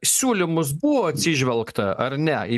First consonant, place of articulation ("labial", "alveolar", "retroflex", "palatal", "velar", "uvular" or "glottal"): alveolar